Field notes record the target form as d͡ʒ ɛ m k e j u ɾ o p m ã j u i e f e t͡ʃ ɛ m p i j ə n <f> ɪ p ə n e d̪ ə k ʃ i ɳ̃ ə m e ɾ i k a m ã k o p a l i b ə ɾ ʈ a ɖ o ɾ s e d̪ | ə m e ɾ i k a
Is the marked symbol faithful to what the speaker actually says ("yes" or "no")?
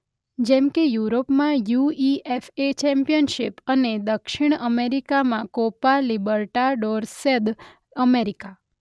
no